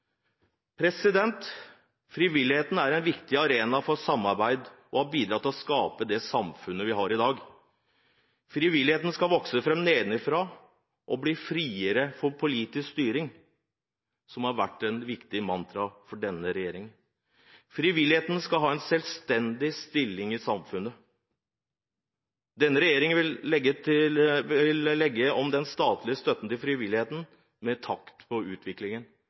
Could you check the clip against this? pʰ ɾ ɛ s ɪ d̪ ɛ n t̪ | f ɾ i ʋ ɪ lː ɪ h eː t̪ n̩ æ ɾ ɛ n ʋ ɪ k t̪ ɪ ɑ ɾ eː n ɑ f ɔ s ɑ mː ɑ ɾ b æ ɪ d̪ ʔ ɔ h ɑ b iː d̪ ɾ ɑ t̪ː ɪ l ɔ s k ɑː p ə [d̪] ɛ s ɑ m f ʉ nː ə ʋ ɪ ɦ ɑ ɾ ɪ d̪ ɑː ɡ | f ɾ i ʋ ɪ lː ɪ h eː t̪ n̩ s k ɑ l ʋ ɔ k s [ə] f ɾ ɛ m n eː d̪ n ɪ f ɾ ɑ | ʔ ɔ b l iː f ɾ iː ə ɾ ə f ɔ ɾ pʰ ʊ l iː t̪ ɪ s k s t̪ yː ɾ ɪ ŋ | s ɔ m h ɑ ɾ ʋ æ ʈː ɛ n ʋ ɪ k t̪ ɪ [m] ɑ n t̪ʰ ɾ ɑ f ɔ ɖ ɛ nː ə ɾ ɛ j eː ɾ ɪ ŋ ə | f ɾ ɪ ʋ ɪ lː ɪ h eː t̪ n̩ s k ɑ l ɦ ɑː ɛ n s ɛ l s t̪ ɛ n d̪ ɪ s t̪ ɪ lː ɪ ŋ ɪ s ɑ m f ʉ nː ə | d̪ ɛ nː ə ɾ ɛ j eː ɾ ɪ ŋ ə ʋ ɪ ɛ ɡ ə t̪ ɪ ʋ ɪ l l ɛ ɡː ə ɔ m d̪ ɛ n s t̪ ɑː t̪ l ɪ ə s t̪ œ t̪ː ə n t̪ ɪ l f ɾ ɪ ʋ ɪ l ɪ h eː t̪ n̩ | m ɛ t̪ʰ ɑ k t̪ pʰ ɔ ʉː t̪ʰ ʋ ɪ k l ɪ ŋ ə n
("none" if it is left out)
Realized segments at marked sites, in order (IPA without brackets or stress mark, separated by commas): d̪, ə, m